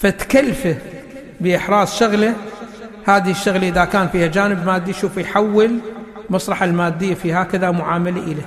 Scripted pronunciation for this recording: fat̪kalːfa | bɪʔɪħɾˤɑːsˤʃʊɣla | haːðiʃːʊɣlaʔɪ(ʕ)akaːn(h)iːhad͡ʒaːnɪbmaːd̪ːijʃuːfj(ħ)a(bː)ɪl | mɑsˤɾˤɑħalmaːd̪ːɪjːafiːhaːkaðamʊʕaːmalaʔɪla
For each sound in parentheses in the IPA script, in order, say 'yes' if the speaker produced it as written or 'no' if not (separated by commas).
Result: no, no, yes, no